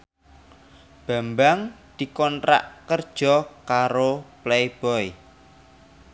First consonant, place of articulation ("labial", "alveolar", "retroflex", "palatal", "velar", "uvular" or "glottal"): labial